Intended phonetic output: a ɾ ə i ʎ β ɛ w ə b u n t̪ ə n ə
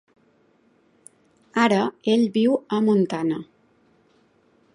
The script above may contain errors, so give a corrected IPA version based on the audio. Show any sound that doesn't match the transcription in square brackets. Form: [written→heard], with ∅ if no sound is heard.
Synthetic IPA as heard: a ɾ ə [i→e] ʎ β [ɛ→i] w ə [b→m] u n t̪ [ə→a] n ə